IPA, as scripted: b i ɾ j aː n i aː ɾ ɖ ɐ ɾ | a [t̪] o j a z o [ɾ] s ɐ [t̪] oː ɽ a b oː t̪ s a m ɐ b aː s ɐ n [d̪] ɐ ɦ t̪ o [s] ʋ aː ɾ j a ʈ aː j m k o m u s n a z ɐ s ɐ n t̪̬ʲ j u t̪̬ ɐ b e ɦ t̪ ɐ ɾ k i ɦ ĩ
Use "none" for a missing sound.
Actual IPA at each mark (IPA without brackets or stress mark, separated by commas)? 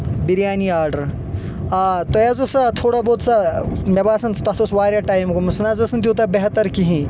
t̪, none, t̪ʰ, t̪, s